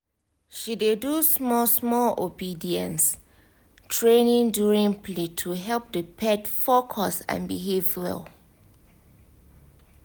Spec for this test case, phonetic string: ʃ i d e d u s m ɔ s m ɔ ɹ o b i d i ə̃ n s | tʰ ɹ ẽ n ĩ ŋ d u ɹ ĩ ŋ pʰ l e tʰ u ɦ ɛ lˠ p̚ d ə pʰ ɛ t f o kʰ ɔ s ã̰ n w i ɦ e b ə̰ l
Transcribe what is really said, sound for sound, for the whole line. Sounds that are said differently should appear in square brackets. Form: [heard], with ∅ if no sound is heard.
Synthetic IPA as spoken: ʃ i d e d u s m ɔ s m ɔ [l] o b i d i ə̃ n s | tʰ ɹ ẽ n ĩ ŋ d u ɹ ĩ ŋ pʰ l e tʰ u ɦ ɛ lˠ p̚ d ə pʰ ɛ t f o kʰ ɔ s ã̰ n [b] i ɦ e [v] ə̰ l